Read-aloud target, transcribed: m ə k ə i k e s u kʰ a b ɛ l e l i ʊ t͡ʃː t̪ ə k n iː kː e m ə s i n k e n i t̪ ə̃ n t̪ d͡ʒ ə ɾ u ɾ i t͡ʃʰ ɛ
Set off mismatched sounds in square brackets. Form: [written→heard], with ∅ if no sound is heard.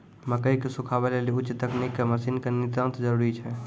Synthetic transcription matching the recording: m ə k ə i k e s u kʰ a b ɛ l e l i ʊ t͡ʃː t̪ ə k n [iː→i] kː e m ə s i n k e n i t̪ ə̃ n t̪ d͡ʒ ə ɾ u ɾ i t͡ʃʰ ɛ